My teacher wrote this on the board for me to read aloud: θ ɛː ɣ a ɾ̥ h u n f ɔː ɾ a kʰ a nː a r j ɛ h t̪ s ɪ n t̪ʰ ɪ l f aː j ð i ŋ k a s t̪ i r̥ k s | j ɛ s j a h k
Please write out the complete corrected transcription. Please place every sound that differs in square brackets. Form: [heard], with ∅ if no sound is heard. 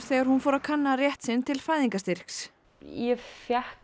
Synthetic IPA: θ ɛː ɣ a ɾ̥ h u n f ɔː ɾ a kʰ a nː a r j ɛ h t̪ s ɪ n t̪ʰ ɪ l f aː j ð i ŋ k a s t̪ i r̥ k s | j ɛ [f] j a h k